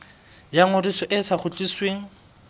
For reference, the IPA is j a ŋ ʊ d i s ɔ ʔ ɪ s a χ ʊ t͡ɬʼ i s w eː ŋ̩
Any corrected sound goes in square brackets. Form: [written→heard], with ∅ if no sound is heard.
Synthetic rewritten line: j a ŋ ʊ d i s ɔ ʔ ɪ s a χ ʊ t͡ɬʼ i s w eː ŋ̩